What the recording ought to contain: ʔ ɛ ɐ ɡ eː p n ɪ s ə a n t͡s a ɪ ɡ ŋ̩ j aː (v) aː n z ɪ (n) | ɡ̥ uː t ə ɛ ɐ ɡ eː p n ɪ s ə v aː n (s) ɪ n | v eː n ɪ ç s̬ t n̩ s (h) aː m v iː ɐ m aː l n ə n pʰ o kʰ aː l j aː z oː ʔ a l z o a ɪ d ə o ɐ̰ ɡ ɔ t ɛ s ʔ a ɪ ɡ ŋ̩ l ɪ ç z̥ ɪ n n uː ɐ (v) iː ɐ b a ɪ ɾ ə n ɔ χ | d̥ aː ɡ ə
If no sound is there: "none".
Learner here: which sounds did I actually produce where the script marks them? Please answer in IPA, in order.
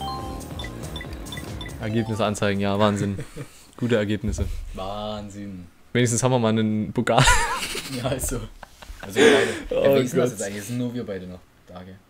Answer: v, n, z, h, v

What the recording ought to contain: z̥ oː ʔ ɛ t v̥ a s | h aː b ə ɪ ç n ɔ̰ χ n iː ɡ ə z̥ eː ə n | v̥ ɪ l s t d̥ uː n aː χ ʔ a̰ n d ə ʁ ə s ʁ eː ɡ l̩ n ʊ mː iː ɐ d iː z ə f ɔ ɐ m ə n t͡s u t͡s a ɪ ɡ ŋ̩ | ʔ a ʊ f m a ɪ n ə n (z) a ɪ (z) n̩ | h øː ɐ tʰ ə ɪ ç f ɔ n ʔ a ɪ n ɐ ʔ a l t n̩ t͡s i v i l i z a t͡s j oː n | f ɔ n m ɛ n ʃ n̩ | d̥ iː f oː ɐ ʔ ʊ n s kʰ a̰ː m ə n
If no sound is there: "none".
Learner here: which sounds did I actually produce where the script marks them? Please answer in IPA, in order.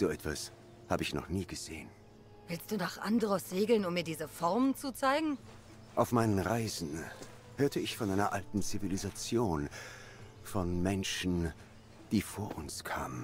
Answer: ʁ, z

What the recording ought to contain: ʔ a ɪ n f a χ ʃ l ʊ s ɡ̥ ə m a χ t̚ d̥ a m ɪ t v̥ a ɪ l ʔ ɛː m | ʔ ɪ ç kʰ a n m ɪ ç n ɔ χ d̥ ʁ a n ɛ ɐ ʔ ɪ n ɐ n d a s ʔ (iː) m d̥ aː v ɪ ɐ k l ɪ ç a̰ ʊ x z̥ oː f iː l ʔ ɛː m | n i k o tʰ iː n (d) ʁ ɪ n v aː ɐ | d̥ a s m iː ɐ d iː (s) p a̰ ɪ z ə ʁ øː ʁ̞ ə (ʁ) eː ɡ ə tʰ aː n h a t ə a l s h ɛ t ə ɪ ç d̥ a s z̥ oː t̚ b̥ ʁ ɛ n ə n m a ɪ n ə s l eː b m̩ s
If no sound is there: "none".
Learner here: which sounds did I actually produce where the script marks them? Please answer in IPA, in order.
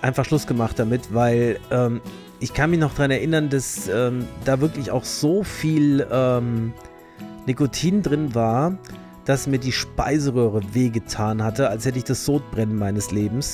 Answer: ɛː, d, ʃ, v

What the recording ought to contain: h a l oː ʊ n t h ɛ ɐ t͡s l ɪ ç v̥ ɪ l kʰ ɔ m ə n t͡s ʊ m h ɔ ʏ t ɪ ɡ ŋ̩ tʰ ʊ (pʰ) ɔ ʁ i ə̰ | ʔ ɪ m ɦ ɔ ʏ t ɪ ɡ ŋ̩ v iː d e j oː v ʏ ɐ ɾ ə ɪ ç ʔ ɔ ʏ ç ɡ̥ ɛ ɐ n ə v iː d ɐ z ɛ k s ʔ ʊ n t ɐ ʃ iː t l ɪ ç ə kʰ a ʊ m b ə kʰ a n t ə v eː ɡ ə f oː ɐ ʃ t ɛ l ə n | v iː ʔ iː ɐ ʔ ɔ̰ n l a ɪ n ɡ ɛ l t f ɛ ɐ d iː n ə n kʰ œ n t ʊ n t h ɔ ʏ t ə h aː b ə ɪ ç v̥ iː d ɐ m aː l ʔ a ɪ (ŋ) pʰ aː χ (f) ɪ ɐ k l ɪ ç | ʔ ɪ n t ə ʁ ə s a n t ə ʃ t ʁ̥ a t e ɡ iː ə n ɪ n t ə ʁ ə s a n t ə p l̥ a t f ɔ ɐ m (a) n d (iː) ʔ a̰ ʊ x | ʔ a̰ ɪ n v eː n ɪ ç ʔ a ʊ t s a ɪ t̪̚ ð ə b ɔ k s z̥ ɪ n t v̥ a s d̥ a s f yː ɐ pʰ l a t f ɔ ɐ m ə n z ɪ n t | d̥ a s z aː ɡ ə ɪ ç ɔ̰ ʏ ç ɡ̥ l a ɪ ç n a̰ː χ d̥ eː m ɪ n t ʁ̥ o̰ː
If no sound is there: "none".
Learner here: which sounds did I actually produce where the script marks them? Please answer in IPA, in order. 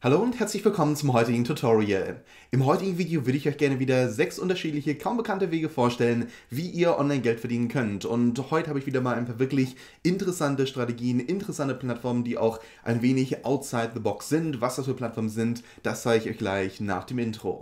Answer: tʰ, n, v, ə, iː

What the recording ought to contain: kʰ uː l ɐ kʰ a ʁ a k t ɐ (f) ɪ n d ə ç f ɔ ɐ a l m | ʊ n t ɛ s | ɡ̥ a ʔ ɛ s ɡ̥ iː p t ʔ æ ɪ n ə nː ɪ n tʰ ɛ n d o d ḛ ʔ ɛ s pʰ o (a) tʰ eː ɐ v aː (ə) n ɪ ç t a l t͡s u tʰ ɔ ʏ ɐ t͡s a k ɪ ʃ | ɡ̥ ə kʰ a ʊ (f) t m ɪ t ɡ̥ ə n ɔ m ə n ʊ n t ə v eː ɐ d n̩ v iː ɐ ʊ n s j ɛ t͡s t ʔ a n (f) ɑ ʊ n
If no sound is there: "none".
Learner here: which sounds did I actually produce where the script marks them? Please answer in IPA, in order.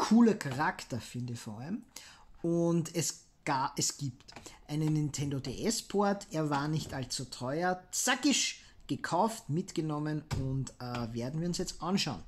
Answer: f, ɐ, ɐ, f, ʃ

